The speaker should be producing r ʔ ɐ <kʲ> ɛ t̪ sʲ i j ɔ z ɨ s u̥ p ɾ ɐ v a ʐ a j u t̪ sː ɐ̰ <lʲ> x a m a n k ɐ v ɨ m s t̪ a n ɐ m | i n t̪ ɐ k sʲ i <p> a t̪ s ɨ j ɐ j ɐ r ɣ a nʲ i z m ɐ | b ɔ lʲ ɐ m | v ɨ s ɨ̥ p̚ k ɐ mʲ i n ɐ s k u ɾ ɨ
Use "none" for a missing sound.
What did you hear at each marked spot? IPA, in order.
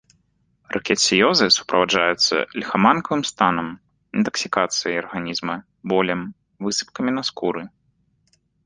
kʲ, lʲ, k

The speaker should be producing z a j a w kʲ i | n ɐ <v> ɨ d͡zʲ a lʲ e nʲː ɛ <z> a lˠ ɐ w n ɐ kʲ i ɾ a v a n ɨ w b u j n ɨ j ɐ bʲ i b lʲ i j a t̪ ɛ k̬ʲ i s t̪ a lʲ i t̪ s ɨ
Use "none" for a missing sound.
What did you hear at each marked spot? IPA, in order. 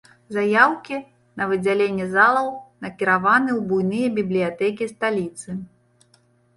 v, z

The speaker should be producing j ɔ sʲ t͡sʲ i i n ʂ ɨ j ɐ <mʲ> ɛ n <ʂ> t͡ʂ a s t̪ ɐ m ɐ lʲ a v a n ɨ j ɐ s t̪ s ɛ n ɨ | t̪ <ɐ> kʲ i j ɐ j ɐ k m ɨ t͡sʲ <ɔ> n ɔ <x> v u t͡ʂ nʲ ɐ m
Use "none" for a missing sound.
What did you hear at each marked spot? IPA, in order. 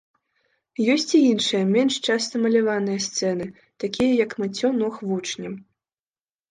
mʲ, ʂ, a, ɔ, x

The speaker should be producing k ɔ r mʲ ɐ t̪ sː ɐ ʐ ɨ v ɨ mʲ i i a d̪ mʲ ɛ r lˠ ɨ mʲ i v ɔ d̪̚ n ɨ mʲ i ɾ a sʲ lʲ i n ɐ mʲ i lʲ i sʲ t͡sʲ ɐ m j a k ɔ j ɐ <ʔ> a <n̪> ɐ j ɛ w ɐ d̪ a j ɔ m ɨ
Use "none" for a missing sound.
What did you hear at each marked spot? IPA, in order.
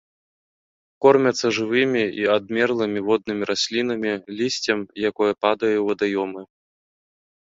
p, d̪

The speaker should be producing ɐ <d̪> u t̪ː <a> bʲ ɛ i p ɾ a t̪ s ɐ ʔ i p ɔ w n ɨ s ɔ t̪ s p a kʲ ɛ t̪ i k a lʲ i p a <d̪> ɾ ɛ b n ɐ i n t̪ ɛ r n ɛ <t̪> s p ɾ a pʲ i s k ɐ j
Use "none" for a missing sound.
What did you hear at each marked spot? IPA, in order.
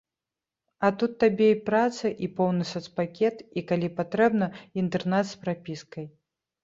t̪, a, t̪, t̪

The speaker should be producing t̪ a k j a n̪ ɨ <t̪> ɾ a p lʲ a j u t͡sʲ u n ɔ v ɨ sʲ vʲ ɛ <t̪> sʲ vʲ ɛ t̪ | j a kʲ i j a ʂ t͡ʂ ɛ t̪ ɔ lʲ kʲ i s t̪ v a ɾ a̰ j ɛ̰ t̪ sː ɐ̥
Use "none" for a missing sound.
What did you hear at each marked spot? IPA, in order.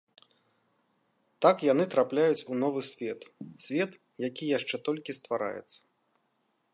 t̪, t̪

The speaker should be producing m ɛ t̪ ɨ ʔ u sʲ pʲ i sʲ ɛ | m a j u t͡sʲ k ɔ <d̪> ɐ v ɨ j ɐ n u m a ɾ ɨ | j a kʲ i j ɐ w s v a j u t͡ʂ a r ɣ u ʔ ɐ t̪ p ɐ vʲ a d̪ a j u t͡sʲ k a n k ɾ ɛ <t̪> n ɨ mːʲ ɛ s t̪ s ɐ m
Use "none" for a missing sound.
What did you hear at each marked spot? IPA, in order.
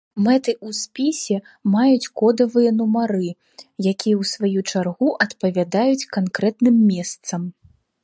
d̪, t̪

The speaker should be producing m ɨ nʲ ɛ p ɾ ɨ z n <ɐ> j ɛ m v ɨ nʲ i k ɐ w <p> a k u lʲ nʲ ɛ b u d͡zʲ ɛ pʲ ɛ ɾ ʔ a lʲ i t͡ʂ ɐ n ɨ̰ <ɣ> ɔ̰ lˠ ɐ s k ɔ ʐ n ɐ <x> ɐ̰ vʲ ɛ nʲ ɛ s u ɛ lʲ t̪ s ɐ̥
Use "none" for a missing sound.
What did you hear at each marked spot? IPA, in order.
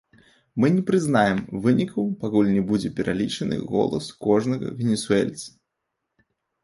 a, p, ɣ, ɣ

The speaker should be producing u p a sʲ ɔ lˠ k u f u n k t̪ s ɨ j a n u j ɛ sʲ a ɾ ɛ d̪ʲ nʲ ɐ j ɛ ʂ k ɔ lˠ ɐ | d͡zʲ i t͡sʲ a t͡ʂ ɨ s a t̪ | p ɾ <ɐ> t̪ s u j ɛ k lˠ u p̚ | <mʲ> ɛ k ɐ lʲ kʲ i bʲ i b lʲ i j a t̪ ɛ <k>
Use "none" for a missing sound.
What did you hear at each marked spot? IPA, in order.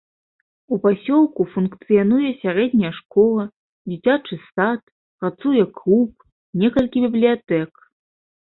a, nʲ, k

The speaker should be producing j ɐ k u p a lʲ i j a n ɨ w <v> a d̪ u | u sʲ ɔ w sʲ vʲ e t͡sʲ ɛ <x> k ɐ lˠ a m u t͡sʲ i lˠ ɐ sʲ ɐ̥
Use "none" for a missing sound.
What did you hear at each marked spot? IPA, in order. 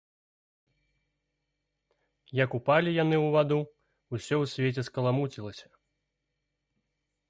v, s

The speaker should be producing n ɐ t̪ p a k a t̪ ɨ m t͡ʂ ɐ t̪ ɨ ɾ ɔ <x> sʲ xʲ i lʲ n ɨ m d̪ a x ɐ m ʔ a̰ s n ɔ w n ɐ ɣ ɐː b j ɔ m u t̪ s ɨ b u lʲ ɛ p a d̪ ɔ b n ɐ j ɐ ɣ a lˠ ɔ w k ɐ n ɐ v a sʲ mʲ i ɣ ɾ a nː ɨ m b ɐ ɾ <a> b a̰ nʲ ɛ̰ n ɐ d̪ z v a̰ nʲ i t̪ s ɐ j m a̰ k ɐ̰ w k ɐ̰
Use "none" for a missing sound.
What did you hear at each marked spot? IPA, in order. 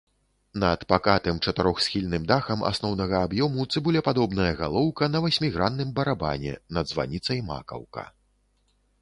x, a

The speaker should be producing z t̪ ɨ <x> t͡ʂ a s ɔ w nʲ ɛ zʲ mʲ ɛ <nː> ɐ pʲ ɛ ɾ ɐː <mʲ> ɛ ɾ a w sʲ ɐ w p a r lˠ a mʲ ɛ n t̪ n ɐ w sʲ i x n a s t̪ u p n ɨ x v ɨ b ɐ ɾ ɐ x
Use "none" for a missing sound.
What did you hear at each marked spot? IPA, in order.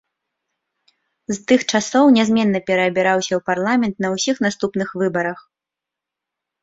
x, nː, bʲ

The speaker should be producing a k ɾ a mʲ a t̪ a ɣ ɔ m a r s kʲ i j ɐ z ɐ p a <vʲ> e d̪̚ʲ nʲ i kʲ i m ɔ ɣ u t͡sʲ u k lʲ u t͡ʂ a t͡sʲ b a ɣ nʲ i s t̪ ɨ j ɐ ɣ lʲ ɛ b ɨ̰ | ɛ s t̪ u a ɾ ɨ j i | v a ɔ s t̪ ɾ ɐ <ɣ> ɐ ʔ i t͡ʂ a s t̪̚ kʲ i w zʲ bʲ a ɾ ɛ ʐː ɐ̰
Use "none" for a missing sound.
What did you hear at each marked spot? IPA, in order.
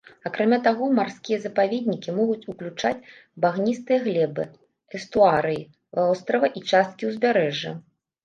vʲ, v

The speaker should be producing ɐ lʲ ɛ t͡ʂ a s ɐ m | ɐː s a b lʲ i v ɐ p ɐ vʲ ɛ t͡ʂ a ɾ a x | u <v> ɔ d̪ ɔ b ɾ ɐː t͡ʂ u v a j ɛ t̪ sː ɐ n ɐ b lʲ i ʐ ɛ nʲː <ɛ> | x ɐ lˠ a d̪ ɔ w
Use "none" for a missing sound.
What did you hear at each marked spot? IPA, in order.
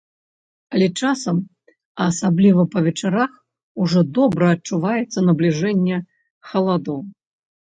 ʐ, ɛ

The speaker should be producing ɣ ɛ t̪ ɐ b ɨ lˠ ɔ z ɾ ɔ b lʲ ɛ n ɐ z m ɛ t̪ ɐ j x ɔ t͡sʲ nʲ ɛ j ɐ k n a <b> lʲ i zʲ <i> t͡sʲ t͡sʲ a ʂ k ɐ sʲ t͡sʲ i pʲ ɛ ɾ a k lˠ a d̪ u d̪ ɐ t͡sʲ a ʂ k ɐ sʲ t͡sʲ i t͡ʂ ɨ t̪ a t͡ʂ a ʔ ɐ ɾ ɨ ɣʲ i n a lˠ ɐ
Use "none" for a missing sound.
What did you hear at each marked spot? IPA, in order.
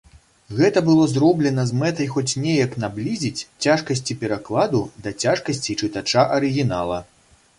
b, i

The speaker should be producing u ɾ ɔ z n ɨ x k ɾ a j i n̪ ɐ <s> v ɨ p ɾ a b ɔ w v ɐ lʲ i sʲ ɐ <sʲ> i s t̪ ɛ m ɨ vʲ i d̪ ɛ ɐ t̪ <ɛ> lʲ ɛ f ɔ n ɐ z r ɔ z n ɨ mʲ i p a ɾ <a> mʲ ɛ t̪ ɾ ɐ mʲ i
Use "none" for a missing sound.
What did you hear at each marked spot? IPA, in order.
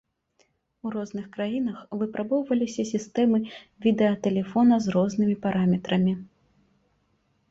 x, sʲ, ɛ, a

